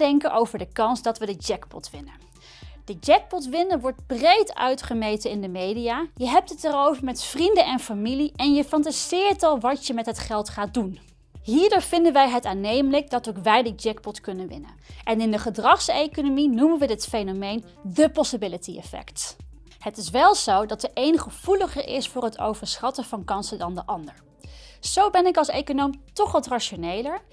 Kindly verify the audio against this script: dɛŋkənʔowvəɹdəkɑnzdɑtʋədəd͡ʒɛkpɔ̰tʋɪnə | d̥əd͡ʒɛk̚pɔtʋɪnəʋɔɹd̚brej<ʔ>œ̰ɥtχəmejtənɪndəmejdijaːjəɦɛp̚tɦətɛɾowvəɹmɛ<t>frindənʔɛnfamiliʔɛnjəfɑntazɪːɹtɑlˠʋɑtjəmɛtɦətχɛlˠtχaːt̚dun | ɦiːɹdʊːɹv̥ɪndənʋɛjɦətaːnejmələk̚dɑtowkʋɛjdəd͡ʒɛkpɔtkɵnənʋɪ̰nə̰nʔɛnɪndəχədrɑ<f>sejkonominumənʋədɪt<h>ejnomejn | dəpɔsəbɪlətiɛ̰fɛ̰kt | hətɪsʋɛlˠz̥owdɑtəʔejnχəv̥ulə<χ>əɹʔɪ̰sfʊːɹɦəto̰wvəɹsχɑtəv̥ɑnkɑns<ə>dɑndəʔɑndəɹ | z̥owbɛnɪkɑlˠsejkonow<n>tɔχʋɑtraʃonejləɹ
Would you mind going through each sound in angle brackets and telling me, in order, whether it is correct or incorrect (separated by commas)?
incorrect, correct, incorrect, incorrect, correct, correct, incorrect